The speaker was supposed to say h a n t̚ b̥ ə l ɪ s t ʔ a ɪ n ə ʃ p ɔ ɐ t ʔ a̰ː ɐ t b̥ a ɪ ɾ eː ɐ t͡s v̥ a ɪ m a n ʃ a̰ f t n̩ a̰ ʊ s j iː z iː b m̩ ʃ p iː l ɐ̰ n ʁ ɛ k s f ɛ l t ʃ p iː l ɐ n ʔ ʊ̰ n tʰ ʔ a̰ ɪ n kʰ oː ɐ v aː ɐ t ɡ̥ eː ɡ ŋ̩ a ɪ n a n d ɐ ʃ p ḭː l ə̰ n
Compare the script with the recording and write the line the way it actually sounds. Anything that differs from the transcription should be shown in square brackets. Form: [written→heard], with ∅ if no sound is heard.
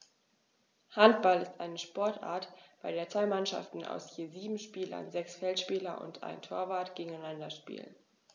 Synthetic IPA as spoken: h a n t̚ b̥ [ə→a] l ɪ s t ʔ a ɪ n ə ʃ p ɔ ɐ t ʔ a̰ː ɐ t b̥ a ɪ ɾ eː ɐ t͡s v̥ a ɪ m a n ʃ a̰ f t n̩ a̰ ʊ s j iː z iː b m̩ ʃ p iː l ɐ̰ n [ʁ→z] ɛ k s f ɛ l t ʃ p iː l ɐ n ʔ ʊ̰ n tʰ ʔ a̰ ɪ n [kʰ→tʰ] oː ɐ v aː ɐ t ɡ̥ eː ɡ ŋ̩ a ɪ n a n d ɐ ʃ p ḭː l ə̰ n